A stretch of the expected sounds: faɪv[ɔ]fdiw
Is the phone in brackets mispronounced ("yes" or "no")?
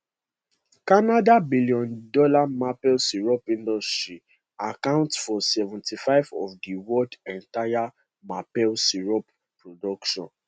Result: no